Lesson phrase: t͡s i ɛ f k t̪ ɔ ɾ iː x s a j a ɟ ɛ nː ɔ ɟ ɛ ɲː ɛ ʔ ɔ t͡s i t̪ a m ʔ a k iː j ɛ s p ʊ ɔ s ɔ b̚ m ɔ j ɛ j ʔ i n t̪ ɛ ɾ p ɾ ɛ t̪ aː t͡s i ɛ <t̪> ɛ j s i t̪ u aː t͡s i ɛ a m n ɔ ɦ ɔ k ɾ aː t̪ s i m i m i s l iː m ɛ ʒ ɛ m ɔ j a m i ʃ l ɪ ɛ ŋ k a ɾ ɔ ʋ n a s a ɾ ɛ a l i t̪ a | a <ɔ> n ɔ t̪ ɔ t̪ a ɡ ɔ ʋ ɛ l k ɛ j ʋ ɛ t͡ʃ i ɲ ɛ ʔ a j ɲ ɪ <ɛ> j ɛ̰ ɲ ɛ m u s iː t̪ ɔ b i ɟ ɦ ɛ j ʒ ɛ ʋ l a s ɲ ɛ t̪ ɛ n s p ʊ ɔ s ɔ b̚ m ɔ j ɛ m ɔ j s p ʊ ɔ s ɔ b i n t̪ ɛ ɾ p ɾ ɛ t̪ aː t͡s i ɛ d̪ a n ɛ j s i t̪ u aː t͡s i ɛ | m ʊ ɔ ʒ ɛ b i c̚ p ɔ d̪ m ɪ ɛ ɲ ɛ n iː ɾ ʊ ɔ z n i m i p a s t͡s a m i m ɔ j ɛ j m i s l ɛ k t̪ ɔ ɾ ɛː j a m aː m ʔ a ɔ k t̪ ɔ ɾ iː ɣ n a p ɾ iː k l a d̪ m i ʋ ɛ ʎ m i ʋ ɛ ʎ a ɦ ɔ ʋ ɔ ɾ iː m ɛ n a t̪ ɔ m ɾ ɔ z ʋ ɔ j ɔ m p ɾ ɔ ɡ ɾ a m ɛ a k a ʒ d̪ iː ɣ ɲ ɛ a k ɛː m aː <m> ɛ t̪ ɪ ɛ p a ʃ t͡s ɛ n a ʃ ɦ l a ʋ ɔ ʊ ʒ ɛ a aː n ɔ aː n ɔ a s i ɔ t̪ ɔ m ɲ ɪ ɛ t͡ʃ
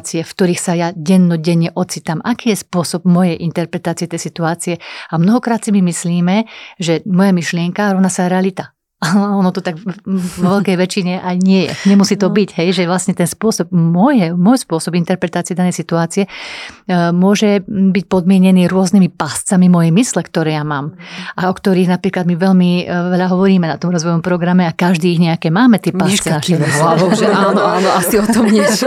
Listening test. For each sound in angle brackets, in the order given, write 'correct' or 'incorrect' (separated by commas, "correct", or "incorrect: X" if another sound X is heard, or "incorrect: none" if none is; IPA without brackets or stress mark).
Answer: correct, correct, correct, correct